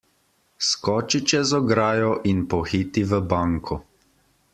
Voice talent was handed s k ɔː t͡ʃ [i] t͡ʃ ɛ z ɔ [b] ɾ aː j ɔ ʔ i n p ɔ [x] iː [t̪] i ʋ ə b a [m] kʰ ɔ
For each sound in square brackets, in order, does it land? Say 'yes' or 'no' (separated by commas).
yes, no, yes, yes, no